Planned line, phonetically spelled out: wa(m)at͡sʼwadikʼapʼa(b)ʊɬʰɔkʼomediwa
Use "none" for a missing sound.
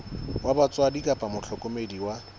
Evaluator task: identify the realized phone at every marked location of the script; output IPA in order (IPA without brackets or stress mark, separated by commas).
b, m